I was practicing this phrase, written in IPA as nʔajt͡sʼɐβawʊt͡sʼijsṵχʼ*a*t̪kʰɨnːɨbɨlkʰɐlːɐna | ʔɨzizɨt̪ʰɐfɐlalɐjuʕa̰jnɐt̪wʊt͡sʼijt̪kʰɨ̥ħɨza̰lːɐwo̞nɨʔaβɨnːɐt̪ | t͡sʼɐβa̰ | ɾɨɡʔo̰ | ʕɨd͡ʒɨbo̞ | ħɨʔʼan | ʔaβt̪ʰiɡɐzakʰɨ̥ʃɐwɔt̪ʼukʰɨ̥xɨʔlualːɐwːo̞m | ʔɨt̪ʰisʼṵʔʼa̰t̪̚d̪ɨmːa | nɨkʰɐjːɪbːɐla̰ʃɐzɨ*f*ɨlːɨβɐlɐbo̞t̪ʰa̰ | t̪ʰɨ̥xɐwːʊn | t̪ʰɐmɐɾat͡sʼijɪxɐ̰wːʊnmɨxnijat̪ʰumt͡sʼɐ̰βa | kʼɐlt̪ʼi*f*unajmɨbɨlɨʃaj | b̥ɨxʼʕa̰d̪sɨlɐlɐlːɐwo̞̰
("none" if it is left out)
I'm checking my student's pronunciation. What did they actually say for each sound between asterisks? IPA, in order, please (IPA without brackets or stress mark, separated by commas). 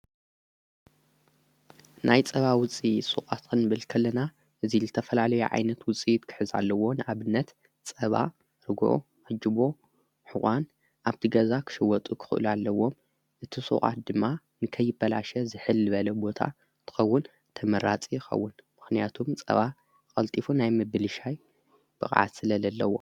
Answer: a, ħ, f